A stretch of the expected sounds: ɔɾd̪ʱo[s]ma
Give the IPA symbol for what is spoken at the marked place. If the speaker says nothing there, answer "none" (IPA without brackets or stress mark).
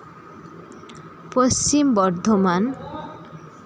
none